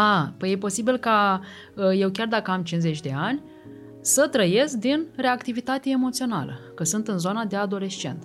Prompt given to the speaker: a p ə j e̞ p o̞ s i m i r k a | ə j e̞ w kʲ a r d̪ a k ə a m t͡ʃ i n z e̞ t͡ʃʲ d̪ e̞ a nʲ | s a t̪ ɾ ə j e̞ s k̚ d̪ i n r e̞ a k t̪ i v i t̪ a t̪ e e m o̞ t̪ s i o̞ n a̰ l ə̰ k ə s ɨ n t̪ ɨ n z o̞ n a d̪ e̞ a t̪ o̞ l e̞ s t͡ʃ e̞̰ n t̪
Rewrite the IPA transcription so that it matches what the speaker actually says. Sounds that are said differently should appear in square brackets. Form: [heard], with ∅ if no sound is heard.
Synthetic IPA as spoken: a p ə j e̞ p o̞ s i [b] i [l] k a | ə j e̞ w kʲ a r d̪ a k ə a m t͡ʃ i n z e̞ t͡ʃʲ d̪ e̞ a nʲ | s [ə] t̪ ɾ ə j e̞ s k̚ d̪ i n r e̞ a k t̪ i v i t̪ a t̪ e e m o̞ t̪ s i o̞ n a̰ l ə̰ k ə s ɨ n t̪ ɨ n z o̞ n a d̪ e̞ a [d̪] o̞ l e̞ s t͡ʃ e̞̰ n t̪